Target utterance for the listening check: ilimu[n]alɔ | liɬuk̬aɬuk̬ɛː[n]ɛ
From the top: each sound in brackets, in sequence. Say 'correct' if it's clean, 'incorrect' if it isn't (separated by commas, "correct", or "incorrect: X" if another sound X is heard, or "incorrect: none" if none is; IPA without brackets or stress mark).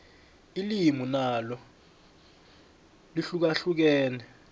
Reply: correct, correct